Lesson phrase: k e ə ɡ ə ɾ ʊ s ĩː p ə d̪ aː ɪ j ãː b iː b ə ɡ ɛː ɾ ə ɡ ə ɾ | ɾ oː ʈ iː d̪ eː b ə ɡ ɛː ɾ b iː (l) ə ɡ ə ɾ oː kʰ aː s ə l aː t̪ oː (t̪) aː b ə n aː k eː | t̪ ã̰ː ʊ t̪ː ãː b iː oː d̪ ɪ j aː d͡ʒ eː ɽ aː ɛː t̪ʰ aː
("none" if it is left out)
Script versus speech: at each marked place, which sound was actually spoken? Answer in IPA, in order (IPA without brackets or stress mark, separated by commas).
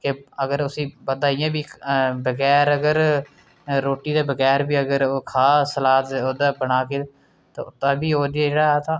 none, d̪